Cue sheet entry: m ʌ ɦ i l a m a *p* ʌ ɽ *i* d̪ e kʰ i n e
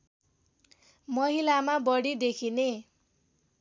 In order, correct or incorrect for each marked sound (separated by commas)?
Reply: incorrect, correct